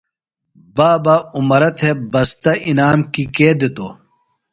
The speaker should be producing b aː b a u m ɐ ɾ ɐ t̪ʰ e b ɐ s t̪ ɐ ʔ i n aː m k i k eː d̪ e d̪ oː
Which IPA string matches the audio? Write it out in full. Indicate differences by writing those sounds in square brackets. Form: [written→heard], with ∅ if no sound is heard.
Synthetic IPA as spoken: b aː b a u m ɐ ɾ ɐ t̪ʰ e b ɐ s t̪ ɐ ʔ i n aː m k i k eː d̪ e [d̪→t̪] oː